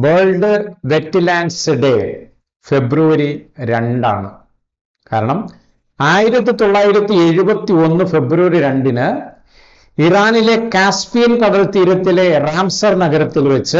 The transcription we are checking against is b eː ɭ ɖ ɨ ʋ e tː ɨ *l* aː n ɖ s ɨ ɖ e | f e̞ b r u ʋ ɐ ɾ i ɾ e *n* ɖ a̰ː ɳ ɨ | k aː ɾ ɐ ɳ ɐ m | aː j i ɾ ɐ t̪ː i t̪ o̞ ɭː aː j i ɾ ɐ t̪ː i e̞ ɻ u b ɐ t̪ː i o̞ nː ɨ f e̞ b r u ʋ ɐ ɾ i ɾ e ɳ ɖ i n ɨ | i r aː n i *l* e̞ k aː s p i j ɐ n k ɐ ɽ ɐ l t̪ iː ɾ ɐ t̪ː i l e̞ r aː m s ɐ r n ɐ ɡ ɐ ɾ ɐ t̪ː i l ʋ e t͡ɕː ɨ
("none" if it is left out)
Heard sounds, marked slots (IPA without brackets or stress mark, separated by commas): l, ɳ, l